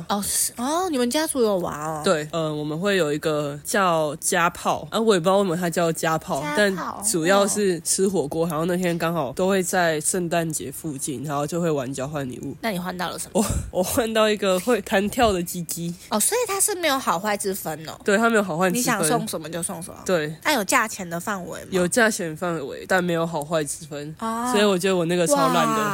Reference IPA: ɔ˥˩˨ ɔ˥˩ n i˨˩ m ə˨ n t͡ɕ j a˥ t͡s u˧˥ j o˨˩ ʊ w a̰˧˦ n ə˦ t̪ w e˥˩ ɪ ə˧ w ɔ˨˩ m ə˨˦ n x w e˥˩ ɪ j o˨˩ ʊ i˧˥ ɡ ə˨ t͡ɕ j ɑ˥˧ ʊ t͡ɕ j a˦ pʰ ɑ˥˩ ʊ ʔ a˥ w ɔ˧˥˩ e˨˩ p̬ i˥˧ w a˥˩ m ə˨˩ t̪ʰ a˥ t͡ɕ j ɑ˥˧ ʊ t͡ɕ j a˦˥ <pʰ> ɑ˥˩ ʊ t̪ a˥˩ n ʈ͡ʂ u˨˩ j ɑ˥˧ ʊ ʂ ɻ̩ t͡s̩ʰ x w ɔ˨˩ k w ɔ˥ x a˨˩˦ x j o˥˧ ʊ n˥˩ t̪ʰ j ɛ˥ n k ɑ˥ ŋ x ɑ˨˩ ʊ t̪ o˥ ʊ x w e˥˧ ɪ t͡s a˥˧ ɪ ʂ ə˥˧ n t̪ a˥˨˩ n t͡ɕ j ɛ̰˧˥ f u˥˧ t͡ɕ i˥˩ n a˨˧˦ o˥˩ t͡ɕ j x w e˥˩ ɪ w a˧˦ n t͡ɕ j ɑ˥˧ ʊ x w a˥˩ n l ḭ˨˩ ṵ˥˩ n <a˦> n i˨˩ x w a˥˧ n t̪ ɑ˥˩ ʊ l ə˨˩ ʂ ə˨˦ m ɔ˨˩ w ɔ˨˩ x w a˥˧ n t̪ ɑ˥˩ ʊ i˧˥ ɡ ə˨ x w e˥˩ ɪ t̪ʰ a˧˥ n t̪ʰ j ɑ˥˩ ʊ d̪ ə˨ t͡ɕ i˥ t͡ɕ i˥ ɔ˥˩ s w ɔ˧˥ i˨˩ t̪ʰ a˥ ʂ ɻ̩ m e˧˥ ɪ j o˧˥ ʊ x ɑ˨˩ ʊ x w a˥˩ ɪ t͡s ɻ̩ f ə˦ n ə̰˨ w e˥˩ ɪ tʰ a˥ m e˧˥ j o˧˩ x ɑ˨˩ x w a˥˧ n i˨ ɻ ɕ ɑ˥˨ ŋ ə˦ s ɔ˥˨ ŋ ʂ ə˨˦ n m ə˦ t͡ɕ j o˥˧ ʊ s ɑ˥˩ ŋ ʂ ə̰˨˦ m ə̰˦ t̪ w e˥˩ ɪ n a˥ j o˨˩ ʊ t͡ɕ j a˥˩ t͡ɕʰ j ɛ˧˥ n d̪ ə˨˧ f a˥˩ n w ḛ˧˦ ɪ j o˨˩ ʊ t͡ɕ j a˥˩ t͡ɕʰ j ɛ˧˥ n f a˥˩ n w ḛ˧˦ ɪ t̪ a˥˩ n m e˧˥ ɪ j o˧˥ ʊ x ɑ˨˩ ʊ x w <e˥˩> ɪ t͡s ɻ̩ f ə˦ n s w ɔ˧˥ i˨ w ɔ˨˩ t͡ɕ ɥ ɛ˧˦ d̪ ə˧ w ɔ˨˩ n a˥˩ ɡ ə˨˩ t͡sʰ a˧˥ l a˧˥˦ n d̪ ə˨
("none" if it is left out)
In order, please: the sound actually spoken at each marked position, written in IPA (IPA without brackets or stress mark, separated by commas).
pʰ, a˥˩, a˥˩